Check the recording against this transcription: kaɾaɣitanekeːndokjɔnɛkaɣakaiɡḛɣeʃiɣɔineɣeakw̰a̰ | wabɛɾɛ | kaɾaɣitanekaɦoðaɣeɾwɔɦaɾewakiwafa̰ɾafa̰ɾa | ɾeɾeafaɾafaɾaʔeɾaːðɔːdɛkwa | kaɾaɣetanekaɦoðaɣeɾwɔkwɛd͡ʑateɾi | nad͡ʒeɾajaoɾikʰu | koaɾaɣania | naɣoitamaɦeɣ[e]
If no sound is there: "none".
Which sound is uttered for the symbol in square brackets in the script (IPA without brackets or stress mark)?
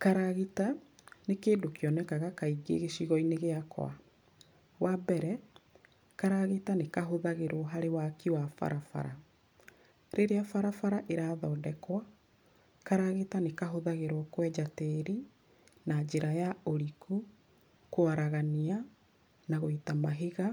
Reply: a